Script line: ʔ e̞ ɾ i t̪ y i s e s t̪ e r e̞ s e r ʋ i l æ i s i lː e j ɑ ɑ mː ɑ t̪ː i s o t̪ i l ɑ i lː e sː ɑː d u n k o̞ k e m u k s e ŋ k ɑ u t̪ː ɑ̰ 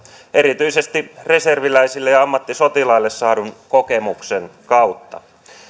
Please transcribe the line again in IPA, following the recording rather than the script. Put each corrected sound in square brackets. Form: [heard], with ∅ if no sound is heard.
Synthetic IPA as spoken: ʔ e̞ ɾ i t̪ y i s e s t̪ [i] r e̞ s e r ʋ i l æ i s i lː e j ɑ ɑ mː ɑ t̪ː i s o t̪ i l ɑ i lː e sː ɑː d u n k o̞ k e m u k s e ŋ k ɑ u t̪ː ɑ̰